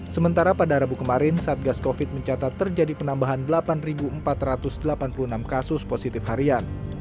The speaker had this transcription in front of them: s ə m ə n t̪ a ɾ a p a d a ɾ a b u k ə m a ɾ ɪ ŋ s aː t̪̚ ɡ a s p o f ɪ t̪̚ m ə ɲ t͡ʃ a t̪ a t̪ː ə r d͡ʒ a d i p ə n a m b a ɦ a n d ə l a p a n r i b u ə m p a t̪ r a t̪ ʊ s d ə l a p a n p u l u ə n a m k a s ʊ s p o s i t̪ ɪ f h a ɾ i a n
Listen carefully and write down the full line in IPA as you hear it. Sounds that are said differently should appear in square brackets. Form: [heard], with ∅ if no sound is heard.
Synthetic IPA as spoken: s ə m ə n t̪ a ɾ a p a d a ɾ a b u k ə m a ɾ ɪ [n] s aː t̪̚ ɡ a s [k] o f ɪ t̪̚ m ə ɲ t͡ʃ a t̪ a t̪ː ə r d͡ʒ a d i p ə n a m b a ɦ a n d ə l a p a n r i b u ə m p a t̪ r a t̪ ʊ s d ə l a p a n p u l u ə n a m k a s ʊ s p o s i t̪ ɪ f h a ɾ i a n